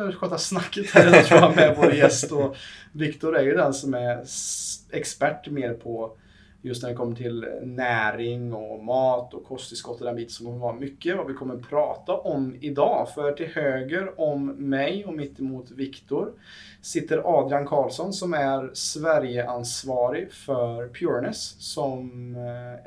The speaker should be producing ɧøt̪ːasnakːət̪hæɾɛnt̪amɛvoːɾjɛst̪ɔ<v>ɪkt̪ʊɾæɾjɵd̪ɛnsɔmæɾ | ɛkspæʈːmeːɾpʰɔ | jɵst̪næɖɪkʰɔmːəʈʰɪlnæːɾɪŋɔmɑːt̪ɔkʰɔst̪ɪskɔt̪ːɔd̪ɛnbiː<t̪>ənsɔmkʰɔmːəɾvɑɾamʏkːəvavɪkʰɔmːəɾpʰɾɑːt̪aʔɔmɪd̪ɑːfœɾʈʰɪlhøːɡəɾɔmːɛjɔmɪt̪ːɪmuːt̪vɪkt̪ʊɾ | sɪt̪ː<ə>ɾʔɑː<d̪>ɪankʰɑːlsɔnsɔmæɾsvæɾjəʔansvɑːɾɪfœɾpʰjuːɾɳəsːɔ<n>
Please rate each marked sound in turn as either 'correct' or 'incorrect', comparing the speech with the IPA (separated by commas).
correct, correct, correct, correct, incorrect